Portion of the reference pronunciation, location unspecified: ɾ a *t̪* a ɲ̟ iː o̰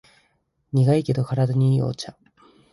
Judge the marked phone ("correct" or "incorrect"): incorrect